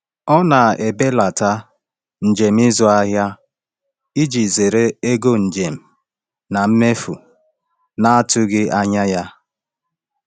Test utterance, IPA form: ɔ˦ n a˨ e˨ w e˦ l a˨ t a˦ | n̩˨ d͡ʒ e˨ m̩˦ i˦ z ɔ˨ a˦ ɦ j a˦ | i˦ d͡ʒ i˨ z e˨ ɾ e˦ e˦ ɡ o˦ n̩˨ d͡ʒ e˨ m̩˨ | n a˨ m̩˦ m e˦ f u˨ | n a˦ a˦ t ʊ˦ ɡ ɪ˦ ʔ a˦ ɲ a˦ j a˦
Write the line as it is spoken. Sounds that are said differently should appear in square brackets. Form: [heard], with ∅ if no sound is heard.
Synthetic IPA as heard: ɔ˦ n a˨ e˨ [b] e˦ l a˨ t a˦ | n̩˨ d͡ʒ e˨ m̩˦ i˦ z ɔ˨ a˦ ɦ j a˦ | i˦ d͡ʒ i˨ z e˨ ɾ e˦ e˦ ɡ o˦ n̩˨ d͡ʒ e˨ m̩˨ | n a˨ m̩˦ m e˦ f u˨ | n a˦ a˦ t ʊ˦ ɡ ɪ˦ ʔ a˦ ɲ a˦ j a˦

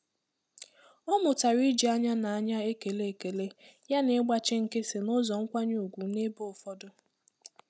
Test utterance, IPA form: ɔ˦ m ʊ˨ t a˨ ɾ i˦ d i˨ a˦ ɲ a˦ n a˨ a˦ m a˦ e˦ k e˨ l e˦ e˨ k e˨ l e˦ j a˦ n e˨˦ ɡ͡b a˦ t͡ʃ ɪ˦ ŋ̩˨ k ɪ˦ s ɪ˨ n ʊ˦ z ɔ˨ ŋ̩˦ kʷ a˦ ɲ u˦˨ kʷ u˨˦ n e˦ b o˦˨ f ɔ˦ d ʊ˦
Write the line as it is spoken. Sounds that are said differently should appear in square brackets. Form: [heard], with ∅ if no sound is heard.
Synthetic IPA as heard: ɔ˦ m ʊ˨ t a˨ ɾ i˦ [d͡ʒ] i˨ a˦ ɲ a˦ n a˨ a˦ [ɲ] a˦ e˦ k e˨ l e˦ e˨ k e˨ l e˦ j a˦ n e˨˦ ɡ͡b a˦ t͡ʃ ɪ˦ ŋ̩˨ k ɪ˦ s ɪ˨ n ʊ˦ z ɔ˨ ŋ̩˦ kʷ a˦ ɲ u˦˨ [ɡʷ] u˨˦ n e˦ b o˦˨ f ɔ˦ d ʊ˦

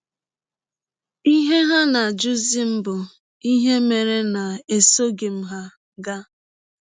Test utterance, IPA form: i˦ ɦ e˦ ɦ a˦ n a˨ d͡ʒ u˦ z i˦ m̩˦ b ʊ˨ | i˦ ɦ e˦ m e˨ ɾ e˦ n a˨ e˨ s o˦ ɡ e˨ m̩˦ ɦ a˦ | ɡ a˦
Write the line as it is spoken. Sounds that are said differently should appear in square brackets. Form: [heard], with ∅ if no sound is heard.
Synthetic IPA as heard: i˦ ɦ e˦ ɦ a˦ n a˨ d͡ʒ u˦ z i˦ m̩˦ b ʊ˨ | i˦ ɦ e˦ m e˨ ɾ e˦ n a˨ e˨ s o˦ ɡ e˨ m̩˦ ɦ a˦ | ɡ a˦

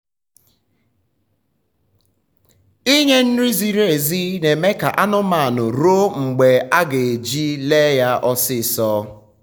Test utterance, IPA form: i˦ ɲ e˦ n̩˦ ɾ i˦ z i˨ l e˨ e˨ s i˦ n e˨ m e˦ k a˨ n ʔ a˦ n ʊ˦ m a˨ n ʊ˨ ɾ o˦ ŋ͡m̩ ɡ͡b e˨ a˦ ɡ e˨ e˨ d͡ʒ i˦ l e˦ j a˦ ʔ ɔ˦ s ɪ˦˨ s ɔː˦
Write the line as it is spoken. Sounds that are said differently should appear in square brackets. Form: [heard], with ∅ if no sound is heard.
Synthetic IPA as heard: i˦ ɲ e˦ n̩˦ ɾ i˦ z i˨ [ɾ] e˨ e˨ [z] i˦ n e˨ m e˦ k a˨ [∅] ʔ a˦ n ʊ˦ m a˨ n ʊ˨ ɾ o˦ ŋ͡m̩ ɡ͡b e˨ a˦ ɡ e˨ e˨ d͡ʒ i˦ l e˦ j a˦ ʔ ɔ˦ s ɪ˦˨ s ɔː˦

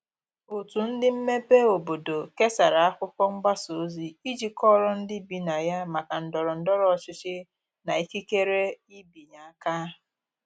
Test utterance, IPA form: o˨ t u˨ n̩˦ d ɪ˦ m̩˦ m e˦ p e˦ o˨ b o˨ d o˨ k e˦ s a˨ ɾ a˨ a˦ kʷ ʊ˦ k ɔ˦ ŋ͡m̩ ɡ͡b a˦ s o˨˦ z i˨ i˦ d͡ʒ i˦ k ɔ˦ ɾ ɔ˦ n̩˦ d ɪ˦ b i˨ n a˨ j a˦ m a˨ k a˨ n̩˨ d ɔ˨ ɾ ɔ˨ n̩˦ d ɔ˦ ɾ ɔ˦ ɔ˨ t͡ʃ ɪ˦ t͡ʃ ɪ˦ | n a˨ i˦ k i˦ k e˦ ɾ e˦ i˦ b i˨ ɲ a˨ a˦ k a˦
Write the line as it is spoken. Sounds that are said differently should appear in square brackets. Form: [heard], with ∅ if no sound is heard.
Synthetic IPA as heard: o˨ t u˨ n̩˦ d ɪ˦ m̩˦ m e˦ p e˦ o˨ b o˨ d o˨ k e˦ s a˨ ɾ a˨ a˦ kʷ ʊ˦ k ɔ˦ ŋ͡m̩ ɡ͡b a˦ s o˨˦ z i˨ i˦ d͡ʒ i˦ k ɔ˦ ɾ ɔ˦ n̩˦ d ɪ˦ b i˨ n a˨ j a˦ m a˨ k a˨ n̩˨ d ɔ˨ ɾ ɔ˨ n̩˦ d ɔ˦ ɾ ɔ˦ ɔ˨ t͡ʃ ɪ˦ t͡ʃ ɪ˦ | n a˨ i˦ k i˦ k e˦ ɾ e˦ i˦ b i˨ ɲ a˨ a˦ k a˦

